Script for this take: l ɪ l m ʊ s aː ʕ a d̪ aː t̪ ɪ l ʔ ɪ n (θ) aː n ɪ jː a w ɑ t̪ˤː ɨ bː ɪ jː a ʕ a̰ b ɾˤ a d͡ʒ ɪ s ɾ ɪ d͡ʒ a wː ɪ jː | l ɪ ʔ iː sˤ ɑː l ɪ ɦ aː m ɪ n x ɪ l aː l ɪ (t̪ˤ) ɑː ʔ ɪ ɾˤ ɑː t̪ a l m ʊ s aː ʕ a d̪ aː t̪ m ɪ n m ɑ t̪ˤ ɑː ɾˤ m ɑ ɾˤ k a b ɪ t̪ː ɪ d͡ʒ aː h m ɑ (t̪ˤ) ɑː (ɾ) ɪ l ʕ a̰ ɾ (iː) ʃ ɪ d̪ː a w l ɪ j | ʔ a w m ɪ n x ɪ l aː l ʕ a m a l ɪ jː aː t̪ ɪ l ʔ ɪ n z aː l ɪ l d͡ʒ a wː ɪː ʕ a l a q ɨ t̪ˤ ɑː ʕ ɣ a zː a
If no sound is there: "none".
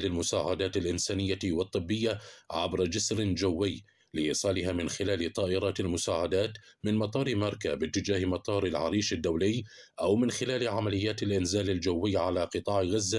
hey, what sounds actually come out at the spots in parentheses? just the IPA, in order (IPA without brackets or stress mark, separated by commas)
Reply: s, t̪ˤ, t̪ˤ, ɾ, iː